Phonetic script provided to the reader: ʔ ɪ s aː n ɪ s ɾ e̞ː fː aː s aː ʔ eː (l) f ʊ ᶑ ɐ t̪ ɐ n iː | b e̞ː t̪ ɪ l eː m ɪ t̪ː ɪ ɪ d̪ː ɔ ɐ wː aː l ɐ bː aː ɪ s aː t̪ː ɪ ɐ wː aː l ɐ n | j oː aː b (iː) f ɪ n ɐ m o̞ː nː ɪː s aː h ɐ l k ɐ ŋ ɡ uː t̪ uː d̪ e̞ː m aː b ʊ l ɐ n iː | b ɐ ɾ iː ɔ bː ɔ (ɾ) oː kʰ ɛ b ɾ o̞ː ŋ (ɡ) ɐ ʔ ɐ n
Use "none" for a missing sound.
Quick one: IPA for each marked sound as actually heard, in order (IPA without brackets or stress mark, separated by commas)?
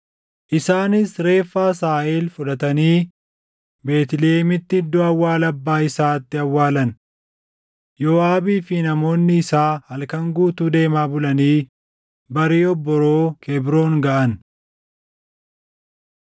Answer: l, iː, ɾ, ɡ